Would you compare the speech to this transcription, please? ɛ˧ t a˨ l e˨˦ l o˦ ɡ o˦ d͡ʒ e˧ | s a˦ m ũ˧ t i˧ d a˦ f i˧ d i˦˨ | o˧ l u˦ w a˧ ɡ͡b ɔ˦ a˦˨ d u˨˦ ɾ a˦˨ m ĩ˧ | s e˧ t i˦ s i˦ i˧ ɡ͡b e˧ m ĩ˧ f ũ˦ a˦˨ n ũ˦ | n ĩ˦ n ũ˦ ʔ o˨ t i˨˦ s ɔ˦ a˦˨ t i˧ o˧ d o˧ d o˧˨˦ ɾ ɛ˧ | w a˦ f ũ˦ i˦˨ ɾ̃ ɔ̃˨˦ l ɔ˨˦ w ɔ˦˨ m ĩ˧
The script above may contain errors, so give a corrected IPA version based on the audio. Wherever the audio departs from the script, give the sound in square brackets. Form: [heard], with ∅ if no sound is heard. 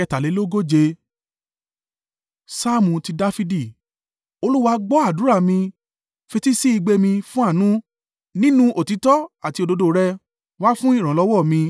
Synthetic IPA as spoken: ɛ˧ t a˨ l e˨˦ l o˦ ɡ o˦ d͡ʒ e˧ | s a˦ m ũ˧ t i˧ d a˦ f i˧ d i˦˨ | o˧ l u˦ w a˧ ɡ͡b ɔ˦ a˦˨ d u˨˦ ɾ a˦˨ m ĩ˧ | [f] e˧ t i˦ s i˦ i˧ ɡ͡b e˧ m ĩ˧ f ũ˦ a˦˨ n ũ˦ | n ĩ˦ n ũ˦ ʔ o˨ t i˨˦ [t] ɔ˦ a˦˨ t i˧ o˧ d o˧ d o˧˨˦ ɾ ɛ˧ | w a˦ f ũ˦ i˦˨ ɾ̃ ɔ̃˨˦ l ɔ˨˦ w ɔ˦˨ m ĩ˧